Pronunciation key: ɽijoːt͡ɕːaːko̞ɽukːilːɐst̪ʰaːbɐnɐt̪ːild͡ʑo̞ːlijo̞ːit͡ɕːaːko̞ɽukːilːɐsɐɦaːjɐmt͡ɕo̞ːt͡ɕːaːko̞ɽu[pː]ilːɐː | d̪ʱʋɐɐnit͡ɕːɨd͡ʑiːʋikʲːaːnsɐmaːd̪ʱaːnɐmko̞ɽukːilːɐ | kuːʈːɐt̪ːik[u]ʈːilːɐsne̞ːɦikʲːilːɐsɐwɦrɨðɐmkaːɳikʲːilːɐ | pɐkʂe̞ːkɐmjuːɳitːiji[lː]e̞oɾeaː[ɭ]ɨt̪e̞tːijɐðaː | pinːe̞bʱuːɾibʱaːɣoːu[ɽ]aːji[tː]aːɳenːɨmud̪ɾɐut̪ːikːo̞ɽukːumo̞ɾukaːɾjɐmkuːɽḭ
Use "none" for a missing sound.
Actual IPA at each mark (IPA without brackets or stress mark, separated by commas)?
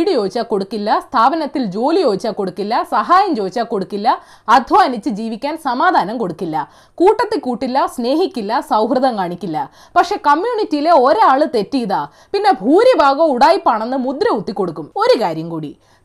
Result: kː, uː, l, ɭ, ɽ, pː